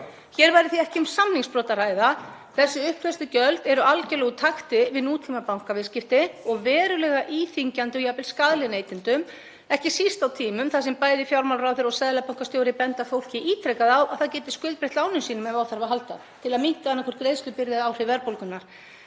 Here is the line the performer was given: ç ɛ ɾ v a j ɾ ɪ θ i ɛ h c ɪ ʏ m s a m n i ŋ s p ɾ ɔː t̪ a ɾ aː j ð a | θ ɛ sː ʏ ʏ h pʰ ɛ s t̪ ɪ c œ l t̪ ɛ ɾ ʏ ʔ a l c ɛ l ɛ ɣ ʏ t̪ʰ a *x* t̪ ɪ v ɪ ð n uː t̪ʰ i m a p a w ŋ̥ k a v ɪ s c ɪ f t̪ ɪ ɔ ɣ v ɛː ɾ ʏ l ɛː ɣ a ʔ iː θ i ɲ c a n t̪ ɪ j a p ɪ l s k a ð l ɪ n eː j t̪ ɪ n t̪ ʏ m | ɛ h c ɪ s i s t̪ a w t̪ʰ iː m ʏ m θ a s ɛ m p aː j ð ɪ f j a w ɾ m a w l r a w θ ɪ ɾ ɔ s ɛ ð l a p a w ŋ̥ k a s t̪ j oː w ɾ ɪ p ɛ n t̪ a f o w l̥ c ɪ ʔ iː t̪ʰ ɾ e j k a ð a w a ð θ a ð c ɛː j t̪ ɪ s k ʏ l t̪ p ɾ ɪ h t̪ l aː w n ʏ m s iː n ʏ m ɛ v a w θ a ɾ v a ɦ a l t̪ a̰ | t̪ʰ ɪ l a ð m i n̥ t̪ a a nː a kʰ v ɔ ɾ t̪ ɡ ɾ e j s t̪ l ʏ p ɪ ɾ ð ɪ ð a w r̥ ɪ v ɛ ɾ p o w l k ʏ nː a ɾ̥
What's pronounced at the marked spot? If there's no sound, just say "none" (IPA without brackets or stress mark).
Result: x